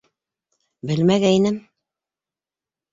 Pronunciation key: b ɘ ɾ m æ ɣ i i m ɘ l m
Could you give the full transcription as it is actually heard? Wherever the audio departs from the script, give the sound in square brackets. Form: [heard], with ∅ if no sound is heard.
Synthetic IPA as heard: b ɘ [l] m æ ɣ [æ] i [n] ɘ [∅] m

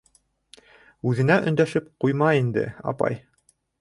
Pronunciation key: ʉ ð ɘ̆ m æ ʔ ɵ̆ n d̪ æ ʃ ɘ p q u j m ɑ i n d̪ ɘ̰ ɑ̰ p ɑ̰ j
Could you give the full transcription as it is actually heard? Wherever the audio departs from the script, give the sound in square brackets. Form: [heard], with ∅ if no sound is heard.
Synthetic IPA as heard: ʉ ð ɘ̆ [n] æ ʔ ɵ̆ n d̪ æ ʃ ɘ p q u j m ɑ i n d̪ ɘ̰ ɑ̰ p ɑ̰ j

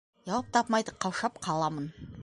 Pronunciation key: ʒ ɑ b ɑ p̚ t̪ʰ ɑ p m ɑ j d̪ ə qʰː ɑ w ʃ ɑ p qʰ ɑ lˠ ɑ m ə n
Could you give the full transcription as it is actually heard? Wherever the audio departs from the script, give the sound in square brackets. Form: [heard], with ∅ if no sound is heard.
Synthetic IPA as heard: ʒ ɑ [w] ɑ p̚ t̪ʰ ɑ p m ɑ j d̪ ə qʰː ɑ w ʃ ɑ p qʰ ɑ lˠ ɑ m ə n

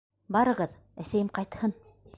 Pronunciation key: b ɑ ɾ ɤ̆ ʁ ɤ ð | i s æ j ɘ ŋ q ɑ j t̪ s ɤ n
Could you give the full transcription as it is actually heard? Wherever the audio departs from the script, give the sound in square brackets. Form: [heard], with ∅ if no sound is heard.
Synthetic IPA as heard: b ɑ ɾ ɤ̆ ʁ ɤ ð | [æ] s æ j ɘ [m] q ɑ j t̪ [h] ɤ n

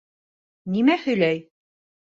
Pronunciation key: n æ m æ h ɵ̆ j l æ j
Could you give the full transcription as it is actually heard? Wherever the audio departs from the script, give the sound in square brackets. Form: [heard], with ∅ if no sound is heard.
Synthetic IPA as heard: n [i] m æ h ɵ̆ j l æ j

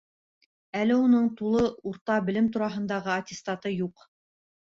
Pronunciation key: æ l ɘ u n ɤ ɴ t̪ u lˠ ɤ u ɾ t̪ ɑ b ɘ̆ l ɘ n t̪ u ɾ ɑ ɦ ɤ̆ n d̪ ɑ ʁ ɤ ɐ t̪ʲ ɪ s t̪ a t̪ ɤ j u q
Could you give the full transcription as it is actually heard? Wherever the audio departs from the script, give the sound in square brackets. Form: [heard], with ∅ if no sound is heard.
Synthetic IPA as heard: æ l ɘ u n ɤ ɴ t̪ u lˠ ɤ u ɾ t̪ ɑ b ɘ̆ l ɘ [m] t̪ u ɾ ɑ ɦ ɤ̆ n d̪ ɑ ʁ ɤ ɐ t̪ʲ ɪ s t̪ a t̪ ɤ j u q

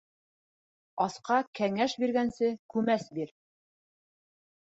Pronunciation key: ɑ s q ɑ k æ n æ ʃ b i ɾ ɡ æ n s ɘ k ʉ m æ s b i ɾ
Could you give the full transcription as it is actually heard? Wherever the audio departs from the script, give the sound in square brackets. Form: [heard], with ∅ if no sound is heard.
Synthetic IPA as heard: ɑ s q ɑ k æ [ŋ] æ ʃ b i ɾ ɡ æ n s ɘ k ʉ m æ s b i ɾ

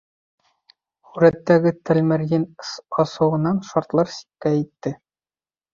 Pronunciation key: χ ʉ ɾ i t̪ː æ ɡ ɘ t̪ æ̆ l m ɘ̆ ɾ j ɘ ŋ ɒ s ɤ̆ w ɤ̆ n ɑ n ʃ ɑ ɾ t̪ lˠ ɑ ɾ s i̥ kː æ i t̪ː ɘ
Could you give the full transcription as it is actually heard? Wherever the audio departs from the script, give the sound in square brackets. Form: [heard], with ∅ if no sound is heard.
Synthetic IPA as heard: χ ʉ ɾ [æ] t̪ː æ ɡ ɘ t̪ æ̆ l m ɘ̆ ɾ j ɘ [n] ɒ s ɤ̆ w ɤ̆ n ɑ n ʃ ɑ ɾ t̪ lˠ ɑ ɾ s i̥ kː æ i t̪ː ɘ

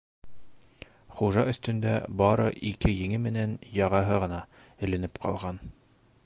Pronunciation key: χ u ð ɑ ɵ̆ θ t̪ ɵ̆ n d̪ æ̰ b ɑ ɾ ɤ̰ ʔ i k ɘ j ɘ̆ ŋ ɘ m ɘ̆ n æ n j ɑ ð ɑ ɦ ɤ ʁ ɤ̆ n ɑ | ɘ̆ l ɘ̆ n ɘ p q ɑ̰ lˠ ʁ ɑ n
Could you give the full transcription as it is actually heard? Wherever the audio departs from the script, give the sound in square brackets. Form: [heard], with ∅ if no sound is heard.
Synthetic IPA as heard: χ u [ʒ] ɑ ɵ̆ θ t̪ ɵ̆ n d̪ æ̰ b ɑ ɾ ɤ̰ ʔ i k ɘ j ɘ̆ ŋ ɘ m ɘ̆ n æ n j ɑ [ʁ] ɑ ɦ ɤ ʁ ɤ̆ n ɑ | ɘ̆ l ɘ̆ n ɘ p q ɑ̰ lˠ ʁ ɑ n

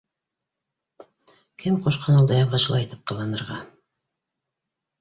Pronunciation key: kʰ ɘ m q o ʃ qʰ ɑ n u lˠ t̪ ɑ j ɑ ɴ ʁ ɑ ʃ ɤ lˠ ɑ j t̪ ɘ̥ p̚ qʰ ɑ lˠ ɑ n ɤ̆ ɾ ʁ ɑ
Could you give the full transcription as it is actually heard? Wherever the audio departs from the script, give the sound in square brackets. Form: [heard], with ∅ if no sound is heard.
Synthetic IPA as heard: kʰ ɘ m q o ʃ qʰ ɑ n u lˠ [d̪] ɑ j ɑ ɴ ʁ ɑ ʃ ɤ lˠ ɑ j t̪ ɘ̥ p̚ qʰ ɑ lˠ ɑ n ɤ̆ ɾ ʁ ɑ

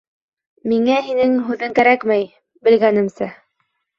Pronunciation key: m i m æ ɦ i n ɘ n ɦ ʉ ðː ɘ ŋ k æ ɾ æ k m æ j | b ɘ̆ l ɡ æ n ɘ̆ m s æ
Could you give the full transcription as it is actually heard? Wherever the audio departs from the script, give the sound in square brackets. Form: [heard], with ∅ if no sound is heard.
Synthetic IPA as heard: m i [ŋ] æ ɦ i n ɘ [ŋ] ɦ ʉ [ð] ɘ ŋ k æ ɾ æ k m æ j | b ɘ̆ l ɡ æ n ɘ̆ m s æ

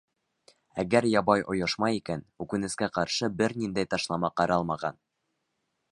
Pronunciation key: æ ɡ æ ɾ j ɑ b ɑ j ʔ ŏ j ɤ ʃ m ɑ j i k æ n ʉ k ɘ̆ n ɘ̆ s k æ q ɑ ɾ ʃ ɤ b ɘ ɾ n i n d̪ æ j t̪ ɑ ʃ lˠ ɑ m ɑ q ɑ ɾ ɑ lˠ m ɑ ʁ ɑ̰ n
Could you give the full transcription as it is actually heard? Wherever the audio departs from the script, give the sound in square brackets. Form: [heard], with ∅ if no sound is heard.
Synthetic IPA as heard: æ ɡ æ ɾ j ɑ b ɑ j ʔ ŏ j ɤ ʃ m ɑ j i k æ n ʉ k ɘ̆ n ɘ̆ s k æ q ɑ ɾ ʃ ɤ b ɘ ɾ n i n d̪ æ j t̪ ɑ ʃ lˠ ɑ m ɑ q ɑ ɾ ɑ lˠ m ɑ ʁ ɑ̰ n

